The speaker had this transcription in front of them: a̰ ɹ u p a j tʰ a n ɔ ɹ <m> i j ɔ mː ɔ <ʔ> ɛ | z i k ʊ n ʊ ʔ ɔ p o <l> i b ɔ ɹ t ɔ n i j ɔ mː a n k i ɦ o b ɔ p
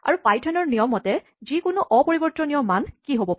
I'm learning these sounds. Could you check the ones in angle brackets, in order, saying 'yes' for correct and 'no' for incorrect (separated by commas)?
no, no, no